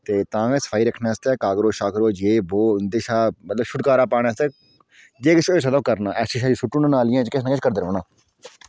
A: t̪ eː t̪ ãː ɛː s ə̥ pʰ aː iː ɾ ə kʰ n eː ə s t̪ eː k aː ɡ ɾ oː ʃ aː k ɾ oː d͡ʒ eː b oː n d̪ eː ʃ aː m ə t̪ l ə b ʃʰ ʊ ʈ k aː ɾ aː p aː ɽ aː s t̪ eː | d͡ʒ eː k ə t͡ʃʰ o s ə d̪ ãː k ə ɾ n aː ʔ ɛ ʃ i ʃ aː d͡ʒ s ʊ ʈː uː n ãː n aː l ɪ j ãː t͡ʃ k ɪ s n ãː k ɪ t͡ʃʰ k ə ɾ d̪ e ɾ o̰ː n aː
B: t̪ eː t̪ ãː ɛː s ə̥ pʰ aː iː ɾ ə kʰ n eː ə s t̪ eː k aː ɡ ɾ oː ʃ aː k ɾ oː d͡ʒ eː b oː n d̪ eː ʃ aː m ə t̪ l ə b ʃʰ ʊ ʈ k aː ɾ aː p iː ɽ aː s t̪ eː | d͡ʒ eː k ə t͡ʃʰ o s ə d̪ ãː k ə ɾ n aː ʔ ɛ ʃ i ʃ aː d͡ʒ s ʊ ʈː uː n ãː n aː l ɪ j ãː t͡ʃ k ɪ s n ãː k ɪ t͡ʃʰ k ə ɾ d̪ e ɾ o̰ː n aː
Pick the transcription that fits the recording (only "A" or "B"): A